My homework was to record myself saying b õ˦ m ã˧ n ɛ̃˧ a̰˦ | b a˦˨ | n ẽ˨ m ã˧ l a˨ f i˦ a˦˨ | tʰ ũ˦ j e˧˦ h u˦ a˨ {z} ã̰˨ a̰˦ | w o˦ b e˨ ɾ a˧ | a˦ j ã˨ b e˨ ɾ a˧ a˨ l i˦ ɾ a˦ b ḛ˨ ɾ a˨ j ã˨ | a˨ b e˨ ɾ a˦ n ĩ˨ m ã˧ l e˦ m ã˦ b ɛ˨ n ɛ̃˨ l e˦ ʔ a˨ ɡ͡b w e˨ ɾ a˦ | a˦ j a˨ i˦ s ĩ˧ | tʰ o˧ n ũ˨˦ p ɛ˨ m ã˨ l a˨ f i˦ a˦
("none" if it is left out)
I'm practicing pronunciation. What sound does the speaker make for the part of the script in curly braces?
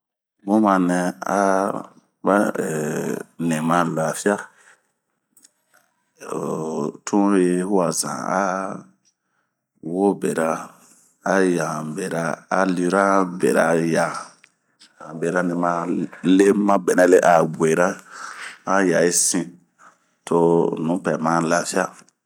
z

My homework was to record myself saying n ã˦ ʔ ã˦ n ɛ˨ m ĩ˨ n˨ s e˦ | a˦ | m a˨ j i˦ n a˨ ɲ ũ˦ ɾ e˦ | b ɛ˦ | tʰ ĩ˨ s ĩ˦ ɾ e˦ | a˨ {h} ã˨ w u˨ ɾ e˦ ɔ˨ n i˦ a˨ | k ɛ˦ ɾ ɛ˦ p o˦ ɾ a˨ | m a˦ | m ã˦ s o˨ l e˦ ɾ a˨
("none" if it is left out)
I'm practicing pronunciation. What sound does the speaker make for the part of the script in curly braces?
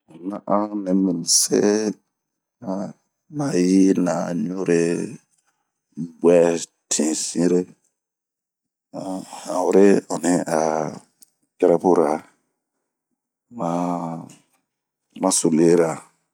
h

